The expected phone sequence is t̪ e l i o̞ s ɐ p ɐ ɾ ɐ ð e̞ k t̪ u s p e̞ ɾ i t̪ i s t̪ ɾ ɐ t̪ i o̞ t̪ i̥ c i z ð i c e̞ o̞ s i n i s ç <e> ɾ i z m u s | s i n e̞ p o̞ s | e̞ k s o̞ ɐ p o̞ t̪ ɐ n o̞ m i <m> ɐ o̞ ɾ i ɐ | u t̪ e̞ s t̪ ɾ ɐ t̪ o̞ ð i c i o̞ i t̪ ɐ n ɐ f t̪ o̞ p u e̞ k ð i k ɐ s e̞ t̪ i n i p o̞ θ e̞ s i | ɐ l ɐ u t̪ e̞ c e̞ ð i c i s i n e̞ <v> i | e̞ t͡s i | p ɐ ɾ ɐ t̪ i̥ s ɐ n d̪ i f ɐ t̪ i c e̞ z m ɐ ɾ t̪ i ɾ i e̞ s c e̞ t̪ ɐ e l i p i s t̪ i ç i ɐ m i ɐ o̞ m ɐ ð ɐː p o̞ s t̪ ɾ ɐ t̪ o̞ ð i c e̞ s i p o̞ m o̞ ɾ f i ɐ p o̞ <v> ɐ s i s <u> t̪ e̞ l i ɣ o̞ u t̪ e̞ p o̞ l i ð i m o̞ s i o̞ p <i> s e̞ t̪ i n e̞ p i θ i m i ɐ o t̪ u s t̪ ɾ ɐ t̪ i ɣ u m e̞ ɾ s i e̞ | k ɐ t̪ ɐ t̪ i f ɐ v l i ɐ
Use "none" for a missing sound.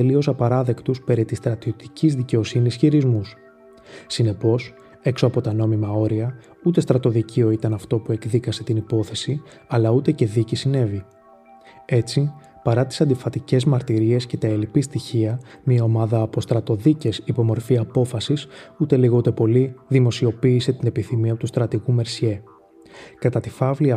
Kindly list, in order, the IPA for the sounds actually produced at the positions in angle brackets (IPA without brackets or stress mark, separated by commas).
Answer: i, m, v, f, u, iː